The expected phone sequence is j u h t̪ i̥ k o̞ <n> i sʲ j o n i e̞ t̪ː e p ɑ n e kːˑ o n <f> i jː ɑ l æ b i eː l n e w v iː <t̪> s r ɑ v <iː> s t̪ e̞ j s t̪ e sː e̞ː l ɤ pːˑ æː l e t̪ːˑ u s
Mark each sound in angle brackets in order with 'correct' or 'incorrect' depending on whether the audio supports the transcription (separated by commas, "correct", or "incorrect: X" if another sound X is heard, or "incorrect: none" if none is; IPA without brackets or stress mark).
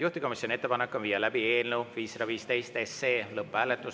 incorrect: m, incorrect: v, incorrect: none, correct